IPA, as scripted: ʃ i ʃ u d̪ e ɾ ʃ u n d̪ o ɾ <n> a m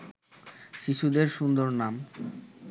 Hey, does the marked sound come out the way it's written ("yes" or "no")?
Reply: yes